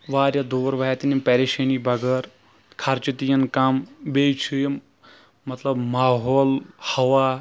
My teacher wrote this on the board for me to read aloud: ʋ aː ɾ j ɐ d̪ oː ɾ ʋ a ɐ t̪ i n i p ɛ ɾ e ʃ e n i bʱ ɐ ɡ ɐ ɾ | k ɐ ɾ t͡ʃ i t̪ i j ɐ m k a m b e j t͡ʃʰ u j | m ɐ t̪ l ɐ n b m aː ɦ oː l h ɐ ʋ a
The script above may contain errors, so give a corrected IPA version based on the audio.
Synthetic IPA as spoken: ʋ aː ɾ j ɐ d̪ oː ɾ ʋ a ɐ t̪ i n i p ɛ ɾ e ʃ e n i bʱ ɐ ɡ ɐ ɾ | kʰ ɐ ɾ t͡ʃ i t̪ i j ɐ n k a m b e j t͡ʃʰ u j | m ɐ t̪ l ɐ b m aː ɦ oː l h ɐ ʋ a